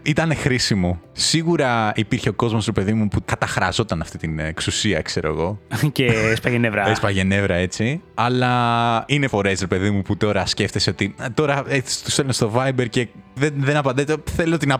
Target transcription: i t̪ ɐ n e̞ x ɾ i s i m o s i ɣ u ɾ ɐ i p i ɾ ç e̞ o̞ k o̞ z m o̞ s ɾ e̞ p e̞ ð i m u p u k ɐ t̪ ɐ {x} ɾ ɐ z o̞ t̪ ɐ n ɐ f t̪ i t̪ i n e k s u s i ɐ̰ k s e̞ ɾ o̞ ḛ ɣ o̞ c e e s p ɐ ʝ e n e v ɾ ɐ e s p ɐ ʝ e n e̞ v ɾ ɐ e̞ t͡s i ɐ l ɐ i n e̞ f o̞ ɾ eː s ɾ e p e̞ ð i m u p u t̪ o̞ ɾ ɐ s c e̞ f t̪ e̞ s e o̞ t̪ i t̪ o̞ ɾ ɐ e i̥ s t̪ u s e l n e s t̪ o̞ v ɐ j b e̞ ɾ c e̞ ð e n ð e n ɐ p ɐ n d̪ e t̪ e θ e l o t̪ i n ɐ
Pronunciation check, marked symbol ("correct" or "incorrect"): correct